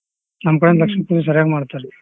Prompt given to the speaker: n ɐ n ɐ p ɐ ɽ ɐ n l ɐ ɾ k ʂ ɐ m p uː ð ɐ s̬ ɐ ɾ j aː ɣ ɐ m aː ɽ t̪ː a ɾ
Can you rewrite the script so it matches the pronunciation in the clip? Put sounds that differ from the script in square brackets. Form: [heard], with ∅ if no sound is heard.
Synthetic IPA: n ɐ [m] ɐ [k] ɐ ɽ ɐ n l ɐ [∅] k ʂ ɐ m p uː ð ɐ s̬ ɐ ɾ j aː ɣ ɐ m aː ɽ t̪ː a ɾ